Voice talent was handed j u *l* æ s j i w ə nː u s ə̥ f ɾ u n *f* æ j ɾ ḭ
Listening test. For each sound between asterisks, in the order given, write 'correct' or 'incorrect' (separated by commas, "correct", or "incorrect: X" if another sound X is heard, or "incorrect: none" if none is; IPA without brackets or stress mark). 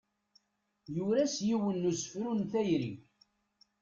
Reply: incorrect: ɾ, incorrect: θ